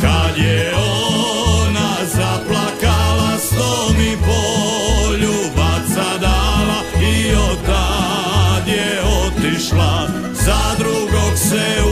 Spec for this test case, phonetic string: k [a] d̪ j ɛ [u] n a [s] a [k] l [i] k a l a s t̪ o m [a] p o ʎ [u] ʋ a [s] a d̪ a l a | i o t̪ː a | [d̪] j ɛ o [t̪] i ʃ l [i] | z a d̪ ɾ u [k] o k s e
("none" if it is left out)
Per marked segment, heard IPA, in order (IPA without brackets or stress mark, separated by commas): a, o, z, p, a, i, u, s, d̪, t̪, a, ɡ